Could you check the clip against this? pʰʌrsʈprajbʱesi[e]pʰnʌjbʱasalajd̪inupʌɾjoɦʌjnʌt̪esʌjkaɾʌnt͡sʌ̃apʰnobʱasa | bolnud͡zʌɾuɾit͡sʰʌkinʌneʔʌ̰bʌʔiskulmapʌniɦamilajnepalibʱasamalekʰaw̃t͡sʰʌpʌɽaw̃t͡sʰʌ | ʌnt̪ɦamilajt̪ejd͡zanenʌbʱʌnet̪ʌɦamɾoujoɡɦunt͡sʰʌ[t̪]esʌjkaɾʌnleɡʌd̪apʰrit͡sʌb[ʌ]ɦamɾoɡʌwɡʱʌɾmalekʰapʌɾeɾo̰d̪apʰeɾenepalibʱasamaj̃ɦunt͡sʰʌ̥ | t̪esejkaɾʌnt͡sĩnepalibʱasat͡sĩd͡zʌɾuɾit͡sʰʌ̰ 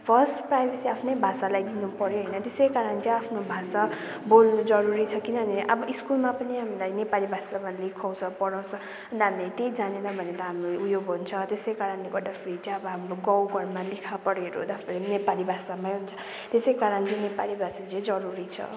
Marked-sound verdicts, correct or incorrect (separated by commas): incorrect, correct, correct